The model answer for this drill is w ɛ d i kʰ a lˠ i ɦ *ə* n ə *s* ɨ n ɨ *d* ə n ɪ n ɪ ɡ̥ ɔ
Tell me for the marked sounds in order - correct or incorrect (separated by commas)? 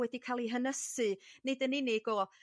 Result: correct, correct, correct